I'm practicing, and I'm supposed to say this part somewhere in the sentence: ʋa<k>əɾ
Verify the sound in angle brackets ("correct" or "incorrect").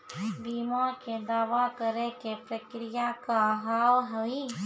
correct